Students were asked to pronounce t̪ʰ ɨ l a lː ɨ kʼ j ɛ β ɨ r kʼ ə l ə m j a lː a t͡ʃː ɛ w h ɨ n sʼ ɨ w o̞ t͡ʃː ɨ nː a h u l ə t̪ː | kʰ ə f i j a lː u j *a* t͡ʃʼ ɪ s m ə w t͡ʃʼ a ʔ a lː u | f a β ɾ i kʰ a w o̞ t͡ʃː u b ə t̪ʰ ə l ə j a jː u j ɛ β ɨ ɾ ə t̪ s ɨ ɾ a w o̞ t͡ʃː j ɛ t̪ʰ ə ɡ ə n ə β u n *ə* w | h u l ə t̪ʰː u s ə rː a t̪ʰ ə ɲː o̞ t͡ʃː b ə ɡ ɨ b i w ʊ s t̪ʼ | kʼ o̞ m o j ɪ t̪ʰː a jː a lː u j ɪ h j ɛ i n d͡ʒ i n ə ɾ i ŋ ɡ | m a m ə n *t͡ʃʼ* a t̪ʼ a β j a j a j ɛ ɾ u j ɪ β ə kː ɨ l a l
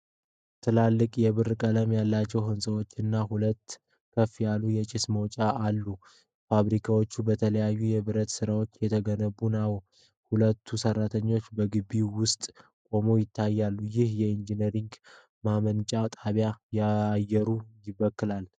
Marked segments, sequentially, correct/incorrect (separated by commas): incorrect, incorrect, correct